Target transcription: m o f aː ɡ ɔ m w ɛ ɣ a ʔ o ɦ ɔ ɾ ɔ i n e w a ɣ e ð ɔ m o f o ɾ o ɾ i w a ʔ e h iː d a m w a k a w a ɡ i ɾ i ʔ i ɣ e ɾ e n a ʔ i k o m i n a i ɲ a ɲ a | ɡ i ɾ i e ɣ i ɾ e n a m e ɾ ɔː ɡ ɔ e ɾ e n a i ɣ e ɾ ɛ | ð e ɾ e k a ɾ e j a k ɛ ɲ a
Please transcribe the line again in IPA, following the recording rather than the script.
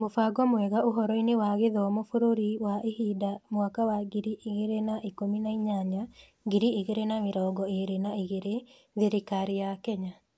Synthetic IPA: m o f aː ɡ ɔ m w ɛ ɣ a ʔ o ɦ ɔ ɾ ɔ i n e w a ɣ e ð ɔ m o f o ɾ o ɾ i w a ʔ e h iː d a m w a k a w a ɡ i ɾ i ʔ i ɣ e ɾ e n a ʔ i k o m i n a i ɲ a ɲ a | ɡ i ɾ i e ɣ e ɾ e n a m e ɾ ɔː ɡ ɔ e ɾ e n a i ɣ e ɾ e | ð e ɾ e k a ɾ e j a k ɛ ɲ a